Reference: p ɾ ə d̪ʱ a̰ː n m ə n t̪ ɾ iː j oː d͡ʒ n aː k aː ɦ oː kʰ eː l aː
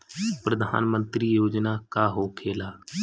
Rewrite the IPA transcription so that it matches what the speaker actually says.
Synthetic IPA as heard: p ɾ ə d̪ʱ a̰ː n m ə n t̪ ɾ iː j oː d͡ʒ n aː k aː ɦ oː kʰ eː l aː